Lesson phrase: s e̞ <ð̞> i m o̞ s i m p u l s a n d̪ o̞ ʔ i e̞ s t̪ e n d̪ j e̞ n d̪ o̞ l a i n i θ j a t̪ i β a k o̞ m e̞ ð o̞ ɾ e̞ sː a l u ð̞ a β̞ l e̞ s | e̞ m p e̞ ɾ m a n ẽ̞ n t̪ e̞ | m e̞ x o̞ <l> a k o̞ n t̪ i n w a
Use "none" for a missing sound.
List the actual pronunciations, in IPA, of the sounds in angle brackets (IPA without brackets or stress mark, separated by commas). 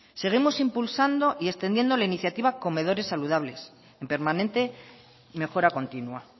ɣ̞, ɾ